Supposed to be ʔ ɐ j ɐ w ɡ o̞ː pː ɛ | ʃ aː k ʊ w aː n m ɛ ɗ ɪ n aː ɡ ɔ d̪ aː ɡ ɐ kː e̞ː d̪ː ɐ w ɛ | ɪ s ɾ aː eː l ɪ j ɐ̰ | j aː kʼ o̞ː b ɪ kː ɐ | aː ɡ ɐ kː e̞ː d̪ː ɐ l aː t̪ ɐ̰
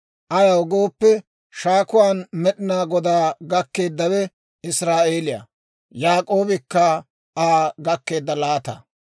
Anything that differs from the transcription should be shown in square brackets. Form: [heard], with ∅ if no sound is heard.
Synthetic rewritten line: ʔ ɐ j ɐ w ɡ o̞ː pː ɛ | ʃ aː k ʊ w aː n m ɛ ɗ ɪ n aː ɡ ɔ d̪ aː ɡ ɐ kː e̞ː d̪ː ɐ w ɛ | ɪ s ɾ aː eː l ɪ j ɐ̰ | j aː kʼ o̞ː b ɪ kː ɐ | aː ɡ ɐ kː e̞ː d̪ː ɐ l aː t̪ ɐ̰

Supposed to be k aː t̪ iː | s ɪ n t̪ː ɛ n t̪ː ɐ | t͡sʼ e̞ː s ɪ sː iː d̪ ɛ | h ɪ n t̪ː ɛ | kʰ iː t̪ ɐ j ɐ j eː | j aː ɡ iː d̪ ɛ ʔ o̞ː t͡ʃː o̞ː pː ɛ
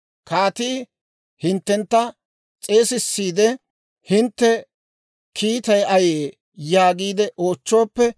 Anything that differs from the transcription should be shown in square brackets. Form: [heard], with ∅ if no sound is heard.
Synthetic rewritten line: k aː t̪ iː | [h] ɪ n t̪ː ɛ n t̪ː ɐ | t͡sʼ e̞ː s ɪ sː iː d̪ ɛ | h ɪ n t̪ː ɛ | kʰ iː t̪ ɐ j ɐ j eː | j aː ɡ iː d̪ ɛ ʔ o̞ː t͡ʃː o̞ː pː ɛ

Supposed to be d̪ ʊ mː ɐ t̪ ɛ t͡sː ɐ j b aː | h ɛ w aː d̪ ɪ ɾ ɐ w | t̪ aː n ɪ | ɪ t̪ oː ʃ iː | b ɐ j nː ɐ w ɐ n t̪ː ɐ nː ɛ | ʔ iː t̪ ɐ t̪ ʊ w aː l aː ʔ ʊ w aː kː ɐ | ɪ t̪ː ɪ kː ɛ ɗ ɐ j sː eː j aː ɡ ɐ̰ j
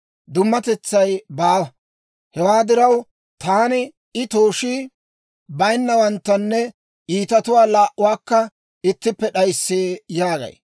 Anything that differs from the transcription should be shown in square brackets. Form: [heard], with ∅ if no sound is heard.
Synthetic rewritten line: d̪ ʊ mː ɐ t̪ ɛ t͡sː ɐ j b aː | h ɛ w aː d̪ ɪ ɾ ɐ w | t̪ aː n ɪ | ɪ t̪ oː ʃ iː | b ɐ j nː ɐ w ɐ n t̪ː ɐ nː ɛ | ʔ iː t̪ ɐ t̪ ʊ w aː l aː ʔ ʊ w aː kː ɐ | ɪ t̪ː ɪ [pː] ɛ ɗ ɐ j sː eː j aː ɡ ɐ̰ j

